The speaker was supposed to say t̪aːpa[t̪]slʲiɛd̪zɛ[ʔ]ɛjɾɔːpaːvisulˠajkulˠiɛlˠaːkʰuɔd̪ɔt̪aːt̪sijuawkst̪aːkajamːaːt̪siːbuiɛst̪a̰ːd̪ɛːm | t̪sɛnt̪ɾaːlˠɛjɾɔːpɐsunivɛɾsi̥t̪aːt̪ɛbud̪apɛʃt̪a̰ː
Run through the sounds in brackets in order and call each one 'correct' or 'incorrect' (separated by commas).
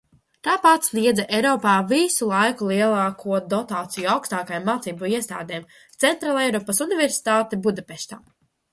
correct, correct